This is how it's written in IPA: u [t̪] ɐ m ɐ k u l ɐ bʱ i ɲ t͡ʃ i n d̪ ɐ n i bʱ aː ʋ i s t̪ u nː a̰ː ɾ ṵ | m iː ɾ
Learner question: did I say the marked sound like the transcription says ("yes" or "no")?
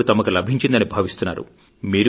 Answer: yes